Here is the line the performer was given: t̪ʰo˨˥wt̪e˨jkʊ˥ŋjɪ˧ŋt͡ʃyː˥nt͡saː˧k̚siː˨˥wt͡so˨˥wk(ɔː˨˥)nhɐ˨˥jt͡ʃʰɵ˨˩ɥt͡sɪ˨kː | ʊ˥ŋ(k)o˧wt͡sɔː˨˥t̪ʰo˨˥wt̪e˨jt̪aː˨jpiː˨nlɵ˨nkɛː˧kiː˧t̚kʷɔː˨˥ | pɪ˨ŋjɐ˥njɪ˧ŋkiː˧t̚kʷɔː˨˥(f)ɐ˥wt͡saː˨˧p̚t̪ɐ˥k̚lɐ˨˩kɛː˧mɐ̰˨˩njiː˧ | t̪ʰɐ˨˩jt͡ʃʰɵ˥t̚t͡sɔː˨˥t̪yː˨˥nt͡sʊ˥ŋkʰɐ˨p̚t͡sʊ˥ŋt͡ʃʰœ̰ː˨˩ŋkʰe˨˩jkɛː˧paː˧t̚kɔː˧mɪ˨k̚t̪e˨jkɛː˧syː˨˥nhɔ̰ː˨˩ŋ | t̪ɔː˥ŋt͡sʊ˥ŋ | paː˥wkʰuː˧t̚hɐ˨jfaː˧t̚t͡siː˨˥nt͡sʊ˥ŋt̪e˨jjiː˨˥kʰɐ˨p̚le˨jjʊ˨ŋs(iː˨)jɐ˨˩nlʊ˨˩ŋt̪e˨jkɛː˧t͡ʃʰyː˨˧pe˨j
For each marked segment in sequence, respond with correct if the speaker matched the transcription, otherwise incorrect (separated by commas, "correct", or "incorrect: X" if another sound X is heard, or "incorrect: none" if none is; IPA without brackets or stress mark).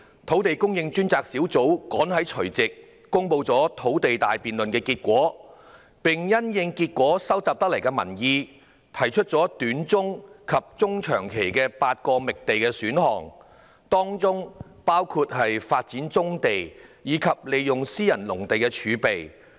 correct, incorrect: p, incorrect: s, incorrect: iː˥